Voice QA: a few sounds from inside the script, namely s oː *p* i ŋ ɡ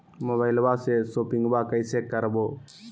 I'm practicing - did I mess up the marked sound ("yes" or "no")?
no